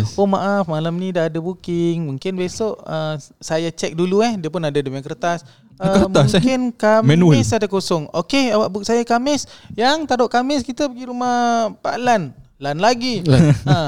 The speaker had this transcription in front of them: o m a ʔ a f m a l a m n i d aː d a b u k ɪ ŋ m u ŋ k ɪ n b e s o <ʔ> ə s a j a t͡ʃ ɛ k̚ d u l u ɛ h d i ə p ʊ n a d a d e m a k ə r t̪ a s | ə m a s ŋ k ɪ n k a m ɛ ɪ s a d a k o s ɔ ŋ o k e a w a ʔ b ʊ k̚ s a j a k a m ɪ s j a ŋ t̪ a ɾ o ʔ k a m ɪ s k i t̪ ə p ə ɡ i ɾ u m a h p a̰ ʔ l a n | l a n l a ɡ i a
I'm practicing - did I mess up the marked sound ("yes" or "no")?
no